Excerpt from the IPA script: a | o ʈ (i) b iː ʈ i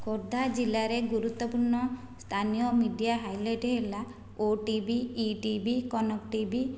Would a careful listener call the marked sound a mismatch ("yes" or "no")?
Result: no